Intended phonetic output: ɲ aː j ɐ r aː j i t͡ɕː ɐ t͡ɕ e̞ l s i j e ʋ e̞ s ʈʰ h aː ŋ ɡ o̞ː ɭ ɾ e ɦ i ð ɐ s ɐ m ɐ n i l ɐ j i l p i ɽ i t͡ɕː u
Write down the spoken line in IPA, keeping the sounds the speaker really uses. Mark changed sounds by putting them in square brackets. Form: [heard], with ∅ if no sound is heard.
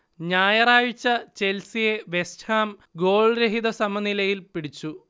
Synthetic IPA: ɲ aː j ɐ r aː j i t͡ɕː ɐ t͡ɕ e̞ l s i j e ʋ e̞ s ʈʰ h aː [m] ɡ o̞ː ɭ ɾ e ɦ i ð ɐ s ɐ m ɐ n i l ɐ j i l p i ɽ i t͡ɕː u